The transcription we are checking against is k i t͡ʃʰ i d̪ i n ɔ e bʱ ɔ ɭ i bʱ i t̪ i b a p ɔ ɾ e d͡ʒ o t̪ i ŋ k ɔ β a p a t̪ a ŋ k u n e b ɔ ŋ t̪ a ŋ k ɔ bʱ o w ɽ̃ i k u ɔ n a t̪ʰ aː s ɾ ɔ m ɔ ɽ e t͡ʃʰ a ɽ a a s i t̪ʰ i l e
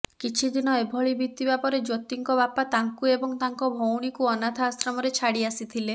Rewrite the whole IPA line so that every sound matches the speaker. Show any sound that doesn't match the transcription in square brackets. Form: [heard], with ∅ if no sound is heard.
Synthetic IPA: k i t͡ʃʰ i d̪ i n ɔ e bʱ ɔ ɭ i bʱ i t̪ i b a p ɔ ɾ e d͡ʒ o t̪ i ŋ k ɔ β a p a t̪ a ŋ k u [∅] e b ɔ ŋ t̪ a ŋ k ɔ bʱ o w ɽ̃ i k u ɔ n a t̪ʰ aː s ɾ ɔ m ɔ [ɾ] e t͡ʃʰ a ɽ [i] a s i t̪ʰ i l e